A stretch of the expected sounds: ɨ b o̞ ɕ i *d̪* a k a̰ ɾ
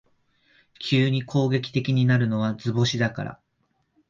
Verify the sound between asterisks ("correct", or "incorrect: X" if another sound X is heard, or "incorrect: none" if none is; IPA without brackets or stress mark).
correct